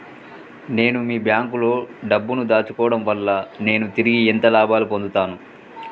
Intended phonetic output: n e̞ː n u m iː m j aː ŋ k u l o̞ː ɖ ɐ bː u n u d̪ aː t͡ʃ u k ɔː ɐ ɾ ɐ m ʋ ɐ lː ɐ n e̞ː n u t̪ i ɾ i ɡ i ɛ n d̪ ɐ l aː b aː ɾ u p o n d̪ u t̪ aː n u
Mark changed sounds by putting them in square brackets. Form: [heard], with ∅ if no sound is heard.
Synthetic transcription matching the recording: n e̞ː n u m iː [b] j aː ŋ k u l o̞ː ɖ ɐ bː u n u d̪ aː t͡ʃ u k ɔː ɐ [ɽ] ɐ m ʋ ɐ lː ɐ n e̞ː n u t̪ i ɾ i ɡ i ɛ n [t̪] ɐ l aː b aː [l] u p o n d̪ u t̪ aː n u